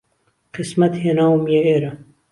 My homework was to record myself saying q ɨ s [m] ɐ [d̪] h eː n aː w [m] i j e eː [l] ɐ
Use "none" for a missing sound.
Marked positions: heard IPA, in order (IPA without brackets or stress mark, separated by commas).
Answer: m, t̪, m, ɾ